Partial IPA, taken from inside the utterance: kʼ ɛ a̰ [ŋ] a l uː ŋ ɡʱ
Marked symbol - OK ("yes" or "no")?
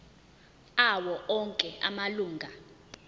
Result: no